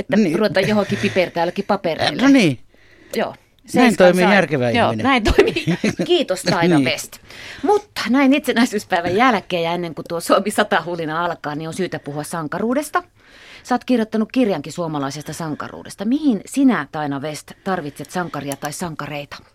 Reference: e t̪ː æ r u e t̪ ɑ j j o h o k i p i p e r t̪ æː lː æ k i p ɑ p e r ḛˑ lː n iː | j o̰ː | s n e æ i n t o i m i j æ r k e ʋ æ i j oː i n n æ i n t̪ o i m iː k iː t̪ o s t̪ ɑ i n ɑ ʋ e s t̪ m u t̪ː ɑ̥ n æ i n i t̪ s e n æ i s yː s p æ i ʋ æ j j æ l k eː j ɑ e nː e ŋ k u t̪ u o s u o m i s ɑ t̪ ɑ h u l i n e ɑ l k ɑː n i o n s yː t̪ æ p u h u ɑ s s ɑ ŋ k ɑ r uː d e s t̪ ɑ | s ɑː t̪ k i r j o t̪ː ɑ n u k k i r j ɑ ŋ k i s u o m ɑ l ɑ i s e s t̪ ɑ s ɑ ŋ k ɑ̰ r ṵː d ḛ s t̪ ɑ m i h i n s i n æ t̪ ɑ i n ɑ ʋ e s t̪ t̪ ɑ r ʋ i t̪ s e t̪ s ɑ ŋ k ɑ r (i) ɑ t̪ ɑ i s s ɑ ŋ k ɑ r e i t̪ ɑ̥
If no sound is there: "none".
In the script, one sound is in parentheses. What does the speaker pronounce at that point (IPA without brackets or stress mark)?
i